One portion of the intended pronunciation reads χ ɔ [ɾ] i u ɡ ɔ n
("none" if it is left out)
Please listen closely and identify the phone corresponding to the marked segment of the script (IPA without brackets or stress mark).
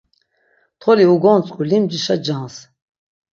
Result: l